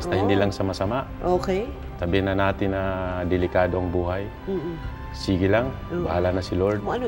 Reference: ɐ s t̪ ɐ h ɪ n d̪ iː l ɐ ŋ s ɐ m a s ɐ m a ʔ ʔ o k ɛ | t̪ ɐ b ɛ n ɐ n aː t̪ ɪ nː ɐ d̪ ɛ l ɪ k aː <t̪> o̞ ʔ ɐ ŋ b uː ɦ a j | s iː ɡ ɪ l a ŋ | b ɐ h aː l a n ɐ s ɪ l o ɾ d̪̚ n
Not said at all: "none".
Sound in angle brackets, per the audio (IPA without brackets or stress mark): d̪